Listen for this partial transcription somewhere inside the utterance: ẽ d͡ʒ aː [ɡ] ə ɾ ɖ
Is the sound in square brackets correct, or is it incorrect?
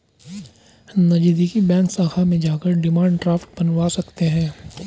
incorrect: k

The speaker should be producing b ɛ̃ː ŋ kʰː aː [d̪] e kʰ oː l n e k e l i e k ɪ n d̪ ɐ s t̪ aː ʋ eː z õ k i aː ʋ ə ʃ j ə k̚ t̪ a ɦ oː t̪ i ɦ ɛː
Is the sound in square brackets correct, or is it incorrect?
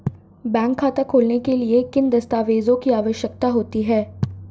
incorrect: t̪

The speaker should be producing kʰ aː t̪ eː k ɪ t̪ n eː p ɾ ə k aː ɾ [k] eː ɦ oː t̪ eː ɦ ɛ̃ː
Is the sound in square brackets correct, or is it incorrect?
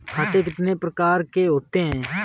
correct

